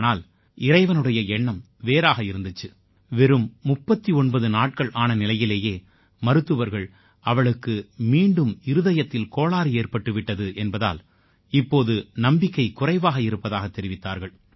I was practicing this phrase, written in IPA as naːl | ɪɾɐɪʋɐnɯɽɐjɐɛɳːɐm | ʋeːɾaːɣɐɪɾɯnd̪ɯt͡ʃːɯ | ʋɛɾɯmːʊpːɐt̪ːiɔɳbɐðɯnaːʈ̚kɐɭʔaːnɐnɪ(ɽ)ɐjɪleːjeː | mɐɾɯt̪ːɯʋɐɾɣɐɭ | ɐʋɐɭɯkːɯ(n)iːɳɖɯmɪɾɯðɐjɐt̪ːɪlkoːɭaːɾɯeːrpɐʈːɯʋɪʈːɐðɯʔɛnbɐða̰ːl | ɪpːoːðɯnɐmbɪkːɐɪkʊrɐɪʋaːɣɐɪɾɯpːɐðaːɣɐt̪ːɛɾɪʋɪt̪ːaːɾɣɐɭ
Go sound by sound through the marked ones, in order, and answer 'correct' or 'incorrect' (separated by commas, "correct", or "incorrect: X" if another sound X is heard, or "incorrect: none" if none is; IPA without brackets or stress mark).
incorrect: l, incorrect: m